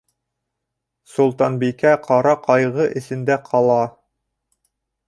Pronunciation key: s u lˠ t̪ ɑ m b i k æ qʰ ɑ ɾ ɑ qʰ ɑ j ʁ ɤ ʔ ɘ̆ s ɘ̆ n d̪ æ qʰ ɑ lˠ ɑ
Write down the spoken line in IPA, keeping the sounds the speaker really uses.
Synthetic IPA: s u lˠ t̪ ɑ n b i k æ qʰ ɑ ɾ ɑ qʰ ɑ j ʁ ɤ ʔ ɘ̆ s ɘ̆ n d̪ æ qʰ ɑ lˠ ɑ